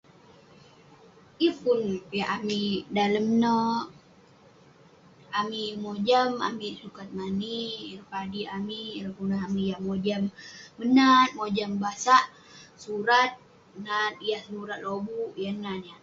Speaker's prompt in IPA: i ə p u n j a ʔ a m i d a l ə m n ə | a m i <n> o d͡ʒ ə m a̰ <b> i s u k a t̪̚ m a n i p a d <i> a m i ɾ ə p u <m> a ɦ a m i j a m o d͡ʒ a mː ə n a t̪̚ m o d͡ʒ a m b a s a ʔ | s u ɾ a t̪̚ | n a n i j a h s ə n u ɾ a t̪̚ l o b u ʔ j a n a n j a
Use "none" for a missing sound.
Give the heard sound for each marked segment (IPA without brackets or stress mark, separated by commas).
m, m, i, n